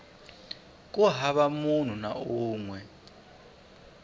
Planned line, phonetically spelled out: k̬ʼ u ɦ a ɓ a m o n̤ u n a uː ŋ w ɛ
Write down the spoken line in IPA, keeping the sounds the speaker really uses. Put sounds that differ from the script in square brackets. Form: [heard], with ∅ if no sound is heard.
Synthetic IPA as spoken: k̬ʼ u ɦ a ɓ a m [u] n̤ u n a uː ŋ w ɛ